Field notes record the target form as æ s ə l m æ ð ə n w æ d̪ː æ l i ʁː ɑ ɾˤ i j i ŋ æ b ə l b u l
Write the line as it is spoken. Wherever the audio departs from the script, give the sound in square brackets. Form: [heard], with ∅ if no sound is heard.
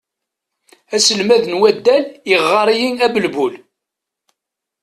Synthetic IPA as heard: æ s ə l m æ ð ə n w æ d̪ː æ l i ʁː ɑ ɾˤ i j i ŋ æ b ə l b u l